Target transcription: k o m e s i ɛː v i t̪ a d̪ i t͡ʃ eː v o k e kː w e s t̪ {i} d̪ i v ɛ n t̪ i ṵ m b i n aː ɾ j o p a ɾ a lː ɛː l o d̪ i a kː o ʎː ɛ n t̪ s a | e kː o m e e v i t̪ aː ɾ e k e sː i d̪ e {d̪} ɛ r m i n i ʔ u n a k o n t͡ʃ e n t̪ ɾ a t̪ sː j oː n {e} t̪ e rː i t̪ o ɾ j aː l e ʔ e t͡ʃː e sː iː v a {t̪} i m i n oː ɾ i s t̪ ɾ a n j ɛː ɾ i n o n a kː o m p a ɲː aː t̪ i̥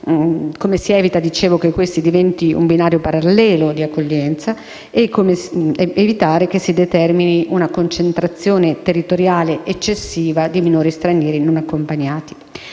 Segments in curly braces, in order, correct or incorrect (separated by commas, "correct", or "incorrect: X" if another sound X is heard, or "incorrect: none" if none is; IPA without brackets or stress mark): correct, incorrect: t̪, correct, incorrect: d̪